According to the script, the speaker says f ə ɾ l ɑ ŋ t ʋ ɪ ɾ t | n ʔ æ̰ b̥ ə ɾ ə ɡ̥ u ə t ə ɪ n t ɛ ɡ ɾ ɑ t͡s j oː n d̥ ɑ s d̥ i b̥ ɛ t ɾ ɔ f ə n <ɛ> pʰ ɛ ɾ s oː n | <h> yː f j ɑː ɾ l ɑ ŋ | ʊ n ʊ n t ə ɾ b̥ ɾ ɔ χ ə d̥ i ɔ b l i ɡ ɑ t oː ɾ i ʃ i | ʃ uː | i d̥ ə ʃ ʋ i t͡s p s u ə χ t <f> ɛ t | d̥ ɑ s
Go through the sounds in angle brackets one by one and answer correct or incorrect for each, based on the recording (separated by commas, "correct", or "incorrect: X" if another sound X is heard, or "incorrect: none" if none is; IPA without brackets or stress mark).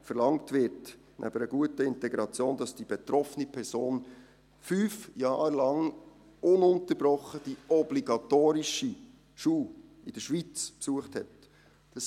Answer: incorrect: i, incorrect: f, incorrect: h